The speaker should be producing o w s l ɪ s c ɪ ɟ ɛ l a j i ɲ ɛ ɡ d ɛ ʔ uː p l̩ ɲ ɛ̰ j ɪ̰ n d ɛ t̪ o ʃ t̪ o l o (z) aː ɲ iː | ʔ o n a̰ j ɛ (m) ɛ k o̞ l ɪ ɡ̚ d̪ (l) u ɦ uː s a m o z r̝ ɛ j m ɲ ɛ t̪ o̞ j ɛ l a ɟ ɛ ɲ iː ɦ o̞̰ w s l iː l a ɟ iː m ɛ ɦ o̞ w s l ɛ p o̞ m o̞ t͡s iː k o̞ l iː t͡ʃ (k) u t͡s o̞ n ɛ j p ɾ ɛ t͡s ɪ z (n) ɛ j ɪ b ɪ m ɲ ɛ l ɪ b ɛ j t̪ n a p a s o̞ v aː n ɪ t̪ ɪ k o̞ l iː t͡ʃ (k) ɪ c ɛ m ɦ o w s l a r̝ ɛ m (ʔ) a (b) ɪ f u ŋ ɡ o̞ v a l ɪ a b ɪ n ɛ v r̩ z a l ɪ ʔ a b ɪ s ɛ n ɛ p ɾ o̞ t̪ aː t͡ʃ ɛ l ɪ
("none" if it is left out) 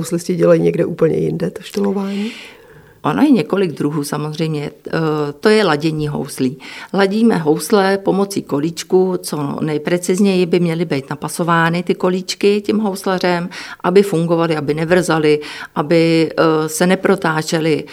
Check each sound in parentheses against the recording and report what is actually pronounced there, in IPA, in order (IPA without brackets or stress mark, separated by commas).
v, ɲ, ɾ, k, ɲ, k, ʔ, b